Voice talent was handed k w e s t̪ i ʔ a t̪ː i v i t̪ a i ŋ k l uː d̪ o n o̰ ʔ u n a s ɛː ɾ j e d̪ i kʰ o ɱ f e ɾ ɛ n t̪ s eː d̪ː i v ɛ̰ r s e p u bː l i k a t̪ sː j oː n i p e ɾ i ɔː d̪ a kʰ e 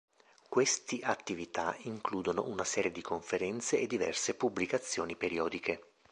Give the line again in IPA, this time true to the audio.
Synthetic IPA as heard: k w e s t̪ i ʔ a t̪ː i v i t̪ a i ŋ k l uː d̪ o n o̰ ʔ u n a s ɛː ɾ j e d̪ i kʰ o ɱ f e ɾ ɛ n t̪ s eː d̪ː i v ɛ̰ r s e p u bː l i k a t̪ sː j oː n i p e ɾ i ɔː d̪ i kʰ e